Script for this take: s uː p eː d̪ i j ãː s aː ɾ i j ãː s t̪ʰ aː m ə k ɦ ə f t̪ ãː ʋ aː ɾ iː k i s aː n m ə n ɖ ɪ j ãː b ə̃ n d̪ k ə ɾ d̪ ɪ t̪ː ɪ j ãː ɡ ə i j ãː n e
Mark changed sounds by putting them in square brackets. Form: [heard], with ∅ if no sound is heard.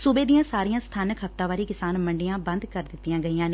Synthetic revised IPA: s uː [b] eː d̪ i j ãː s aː ɾ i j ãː s t̪ʰ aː [n] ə k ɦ ə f t̪ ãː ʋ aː ɾ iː k [ɪ] s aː n m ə [ɳ] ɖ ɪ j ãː b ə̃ n d̪ k ə ɾ d̪ ɪ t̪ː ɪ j ãː ɡ ə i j ãː n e